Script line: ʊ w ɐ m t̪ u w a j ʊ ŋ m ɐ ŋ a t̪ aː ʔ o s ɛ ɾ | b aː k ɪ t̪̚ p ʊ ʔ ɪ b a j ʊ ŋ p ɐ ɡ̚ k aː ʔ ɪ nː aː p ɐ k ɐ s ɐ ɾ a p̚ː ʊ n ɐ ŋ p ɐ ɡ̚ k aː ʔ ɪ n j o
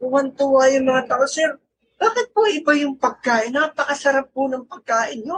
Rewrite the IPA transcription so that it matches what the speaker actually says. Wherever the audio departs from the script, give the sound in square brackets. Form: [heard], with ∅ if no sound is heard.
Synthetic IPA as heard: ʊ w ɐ [n] t̪ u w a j ʊ ŋ m ɐ ŋ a t̪ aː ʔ o s ɛ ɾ | b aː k ɪ t̪̚ p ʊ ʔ ɪ b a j ʊ ŋ p ɐ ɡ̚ k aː ʔ ɪ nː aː p ɐ k ɐ s ɐ ɾ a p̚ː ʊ n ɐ ŋ p ɐ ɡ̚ k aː ʔ ɪ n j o